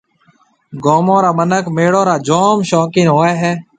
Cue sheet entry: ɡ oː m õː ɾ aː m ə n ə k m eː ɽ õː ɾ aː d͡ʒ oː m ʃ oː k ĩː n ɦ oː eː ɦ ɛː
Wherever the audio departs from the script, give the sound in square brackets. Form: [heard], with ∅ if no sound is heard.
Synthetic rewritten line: ɡ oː m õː ɾ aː m ə n ə k m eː ɽ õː ɾ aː d͡ʒ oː m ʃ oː k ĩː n ɦ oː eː ɦ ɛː